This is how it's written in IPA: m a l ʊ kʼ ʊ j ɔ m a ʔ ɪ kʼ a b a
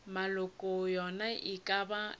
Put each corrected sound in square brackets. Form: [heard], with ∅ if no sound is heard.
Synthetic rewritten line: m a l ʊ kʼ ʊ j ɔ [n] a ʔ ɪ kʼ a b a